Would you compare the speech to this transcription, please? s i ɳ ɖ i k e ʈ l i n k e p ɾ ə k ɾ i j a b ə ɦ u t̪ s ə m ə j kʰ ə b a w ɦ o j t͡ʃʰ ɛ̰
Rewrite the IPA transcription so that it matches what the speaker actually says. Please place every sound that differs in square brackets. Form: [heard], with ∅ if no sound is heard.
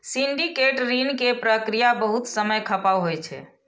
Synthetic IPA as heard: s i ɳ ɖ i k e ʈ [ɾ] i n k e p ɾ ə k ɾ i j a b ə ɦ u t̪ s ə m ə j kʰ ə [p] a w ɦ o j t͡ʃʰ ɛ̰